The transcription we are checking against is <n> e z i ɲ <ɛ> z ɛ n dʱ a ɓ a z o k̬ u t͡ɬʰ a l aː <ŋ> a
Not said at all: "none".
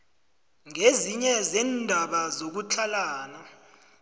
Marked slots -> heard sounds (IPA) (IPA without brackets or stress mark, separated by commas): ŋ, ɛ, n